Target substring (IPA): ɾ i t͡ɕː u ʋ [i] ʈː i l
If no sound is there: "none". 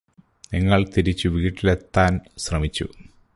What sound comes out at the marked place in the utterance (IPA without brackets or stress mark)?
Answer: iː